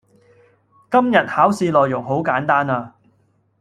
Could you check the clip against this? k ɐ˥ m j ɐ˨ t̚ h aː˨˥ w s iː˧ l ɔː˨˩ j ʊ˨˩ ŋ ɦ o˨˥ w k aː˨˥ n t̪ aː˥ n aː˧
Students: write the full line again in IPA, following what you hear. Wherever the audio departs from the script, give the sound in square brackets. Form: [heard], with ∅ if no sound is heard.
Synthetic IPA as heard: k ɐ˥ m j ɐ˨ t̚ h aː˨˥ w s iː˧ l ɔː˨˩ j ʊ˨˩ ŋ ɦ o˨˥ w k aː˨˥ n t̪ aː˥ n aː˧

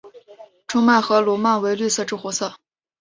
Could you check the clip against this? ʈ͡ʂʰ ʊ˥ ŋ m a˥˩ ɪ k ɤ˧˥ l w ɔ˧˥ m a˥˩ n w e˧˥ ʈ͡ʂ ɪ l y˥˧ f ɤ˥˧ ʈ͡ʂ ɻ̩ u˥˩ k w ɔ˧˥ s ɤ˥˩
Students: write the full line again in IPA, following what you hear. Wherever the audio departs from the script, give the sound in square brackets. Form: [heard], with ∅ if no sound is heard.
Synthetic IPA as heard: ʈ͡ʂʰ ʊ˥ ŋ m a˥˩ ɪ [x] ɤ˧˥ l w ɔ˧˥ m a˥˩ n w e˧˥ [∅] ɪ l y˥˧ [s] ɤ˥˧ ʈ͡ʂ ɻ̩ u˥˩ [x] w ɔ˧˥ s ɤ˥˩

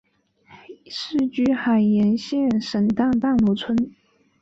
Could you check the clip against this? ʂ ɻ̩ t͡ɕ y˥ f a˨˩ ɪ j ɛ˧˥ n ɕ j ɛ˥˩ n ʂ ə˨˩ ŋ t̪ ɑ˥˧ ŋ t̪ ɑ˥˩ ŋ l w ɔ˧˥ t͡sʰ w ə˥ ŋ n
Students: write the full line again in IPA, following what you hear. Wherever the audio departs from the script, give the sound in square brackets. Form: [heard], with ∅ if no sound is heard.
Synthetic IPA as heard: ʂ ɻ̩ t͡ɕ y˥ [x] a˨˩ ɪ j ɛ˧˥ n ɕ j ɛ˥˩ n ʂ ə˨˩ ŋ t̪ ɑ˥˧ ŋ t̪ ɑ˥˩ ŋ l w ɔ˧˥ t͡sʰ w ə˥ [∅] n

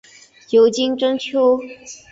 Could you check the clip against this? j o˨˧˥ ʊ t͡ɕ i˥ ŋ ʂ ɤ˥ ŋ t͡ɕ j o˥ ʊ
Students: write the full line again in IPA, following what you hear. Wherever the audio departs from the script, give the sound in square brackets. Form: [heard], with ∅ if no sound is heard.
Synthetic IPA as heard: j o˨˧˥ ʊ t͡ɕ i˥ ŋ [ʈ͡ʂ] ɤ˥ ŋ [t͡ɕʰ] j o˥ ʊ

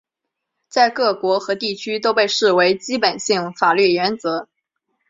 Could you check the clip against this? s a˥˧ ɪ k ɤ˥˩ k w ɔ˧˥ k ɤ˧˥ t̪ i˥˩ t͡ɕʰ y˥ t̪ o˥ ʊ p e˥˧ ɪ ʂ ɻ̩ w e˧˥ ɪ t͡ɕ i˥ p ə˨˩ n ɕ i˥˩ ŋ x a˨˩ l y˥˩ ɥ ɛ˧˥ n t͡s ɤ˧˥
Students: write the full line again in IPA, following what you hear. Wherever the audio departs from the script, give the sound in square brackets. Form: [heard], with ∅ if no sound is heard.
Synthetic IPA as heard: [t͡s] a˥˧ ɪ k ɤ˥˩ k w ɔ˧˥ [x] ɤ˧˥ t̪ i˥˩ t͡ɕʰ y˥ t̪ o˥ ʊ p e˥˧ ɪ ʂ ɻ̩ w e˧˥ ɪ t͡ɕ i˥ p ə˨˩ n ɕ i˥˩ ŋ [f] a˨˩ l y˥˩ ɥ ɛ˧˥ n t͡s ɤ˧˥

